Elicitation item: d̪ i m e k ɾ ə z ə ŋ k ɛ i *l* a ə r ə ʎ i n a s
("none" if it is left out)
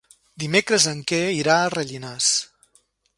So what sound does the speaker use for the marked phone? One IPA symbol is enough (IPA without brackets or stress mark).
ɾ